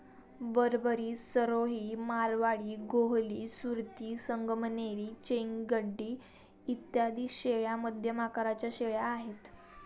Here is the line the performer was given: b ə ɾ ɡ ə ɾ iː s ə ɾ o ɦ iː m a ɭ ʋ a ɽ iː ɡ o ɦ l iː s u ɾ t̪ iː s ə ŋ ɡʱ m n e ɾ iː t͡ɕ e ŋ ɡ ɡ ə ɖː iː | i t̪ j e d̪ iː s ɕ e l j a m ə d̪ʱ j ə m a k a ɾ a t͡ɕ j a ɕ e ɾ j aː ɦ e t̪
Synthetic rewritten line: b ə ɾ b ə ɾ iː s ə ɾ o ɦ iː m a ɾ ʋ a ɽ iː ɡ o ɦ l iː s u ɾ t̪ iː s ə ŋ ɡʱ m n e ɾ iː t͡ɕ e ŋ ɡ ɡ ə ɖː iː | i t̪ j a d̪ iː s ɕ e ɭ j a m ə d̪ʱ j ə m a k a ɾ a t͡ɕ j a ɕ e ɭ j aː ɦ e t̪